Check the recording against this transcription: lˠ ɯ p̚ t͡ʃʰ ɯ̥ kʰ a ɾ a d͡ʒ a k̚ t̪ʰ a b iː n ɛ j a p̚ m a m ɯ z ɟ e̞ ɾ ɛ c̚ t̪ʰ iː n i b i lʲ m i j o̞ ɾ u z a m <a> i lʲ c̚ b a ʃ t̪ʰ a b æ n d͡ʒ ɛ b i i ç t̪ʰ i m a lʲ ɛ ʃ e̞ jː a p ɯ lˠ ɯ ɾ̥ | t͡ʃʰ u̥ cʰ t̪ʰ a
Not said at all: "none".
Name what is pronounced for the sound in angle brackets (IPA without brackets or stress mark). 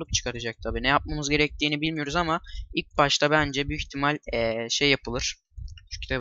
a